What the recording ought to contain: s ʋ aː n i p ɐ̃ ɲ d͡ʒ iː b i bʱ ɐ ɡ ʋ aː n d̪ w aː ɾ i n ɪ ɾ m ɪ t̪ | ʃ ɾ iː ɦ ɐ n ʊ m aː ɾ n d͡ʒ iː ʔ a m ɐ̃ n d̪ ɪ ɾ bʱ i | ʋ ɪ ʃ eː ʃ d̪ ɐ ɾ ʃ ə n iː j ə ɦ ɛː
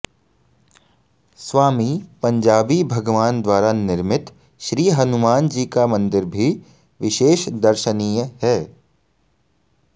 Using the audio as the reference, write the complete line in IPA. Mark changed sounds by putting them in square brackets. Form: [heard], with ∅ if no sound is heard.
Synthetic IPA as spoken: s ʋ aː [m] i p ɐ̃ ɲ d͡ʒ [aː] b i bʱ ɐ ɡ ʋ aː n d̪ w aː ɾ [a] n ɪ ɾ m ɪ t̪ | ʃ ɾ iː ɦ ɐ n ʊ m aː [∅] n d͡ʒ iː [k] a m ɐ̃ n d̪ ɪ ɾ bʱ i | ʋ ɪ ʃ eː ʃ d̪ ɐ ɾ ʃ ə n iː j ə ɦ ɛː